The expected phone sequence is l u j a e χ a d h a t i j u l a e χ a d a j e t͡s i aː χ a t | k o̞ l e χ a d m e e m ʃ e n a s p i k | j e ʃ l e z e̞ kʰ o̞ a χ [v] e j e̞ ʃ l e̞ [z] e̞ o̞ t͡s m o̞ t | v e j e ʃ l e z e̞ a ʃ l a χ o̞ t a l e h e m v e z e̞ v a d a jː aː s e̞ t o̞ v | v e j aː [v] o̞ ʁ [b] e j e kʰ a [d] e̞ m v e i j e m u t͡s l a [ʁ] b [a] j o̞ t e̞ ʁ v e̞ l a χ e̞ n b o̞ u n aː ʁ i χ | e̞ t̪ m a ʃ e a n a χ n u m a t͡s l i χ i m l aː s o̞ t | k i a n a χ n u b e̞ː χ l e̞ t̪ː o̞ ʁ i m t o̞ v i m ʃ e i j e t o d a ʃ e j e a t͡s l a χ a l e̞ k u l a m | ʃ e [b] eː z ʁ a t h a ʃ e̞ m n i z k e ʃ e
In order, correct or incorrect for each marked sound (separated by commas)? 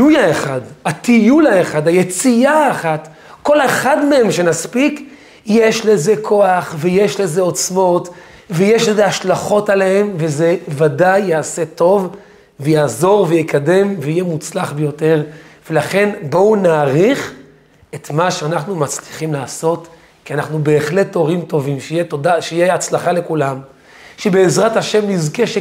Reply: correct, correct, incorrect, incorrect, correct, incorrect, incorrect, correct